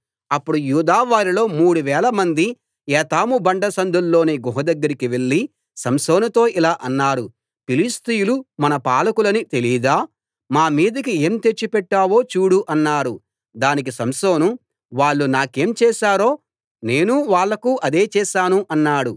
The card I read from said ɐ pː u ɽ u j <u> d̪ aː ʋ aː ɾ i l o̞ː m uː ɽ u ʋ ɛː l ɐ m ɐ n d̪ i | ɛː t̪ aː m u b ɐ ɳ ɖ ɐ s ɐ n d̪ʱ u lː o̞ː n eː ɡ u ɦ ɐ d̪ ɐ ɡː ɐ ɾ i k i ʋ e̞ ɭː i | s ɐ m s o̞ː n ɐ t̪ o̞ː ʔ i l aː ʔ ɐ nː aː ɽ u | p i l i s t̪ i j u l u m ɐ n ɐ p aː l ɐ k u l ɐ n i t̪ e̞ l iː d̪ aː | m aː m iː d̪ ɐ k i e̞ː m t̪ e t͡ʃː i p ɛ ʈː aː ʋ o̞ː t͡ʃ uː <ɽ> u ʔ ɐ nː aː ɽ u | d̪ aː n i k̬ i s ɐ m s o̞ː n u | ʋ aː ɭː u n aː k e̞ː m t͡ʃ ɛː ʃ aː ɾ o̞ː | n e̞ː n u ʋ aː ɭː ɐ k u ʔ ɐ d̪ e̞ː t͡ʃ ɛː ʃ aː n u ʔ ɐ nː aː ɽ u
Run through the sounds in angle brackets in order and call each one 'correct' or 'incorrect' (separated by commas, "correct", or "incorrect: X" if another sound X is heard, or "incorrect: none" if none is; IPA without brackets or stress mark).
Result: incorrect: uː, correct